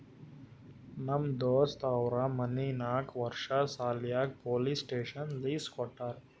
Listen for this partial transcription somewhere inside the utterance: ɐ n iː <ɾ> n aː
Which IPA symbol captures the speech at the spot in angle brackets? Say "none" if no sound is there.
none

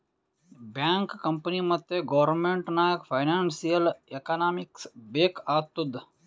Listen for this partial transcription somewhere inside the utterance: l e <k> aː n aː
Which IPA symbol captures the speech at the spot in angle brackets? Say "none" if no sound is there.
k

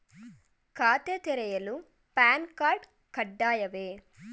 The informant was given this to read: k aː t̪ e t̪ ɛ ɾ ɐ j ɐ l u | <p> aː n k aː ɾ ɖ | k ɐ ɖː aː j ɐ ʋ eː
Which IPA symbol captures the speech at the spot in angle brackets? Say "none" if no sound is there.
p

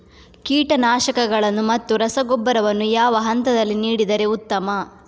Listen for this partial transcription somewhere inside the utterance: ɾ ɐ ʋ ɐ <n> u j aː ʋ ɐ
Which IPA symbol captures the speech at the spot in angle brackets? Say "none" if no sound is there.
nː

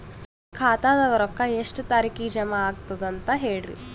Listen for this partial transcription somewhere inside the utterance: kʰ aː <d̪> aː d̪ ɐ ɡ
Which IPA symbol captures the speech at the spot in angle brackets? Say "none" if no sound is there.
t̪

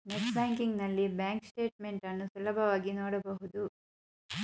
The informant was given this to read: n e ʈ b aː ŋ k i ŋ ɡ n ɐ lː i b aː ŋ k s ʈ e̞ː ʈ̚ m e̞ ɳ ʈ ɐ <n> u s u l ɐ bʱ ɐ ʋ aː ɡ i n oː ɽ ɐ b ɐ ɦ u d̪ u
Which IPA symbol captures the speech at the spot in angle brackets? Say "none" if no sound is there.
nː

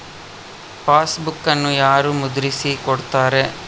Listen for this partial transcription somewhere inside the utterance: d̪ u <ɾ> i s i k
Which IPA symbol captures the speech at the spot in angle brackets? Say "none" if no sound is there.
ɾ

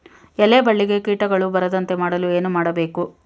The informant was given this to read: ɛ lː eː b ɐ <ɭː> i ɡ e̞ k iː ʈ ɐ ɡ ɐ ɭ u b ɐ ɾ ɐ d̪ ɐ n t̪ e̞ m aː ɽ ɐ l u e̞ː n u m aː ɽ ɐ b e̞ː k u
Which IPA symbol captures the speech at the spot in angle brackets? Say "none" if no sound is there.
ɭː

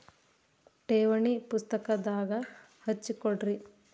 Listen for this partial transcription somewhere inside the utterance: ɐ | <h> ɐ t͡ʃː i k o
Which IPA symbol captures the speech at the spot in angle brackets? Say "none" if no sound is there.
h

